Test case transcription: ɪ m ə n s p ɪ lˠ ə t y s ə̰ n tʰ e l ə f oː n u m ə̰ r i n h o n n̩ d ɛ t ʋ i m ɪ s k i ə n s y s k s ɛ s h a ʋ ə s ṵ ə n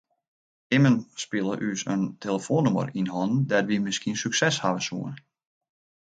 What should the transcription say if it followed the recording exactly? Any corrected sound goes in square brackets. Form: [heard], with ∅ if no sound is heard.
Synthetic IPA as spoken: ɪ m ə n s p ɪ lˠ ə [ʔ] y s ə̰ n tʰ e l ə f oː n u m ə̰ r i n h [ɔ] n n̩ d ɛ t ʋ i m ɪ s k i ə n s y [∅] k s ɛ s h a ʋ ə s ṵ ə n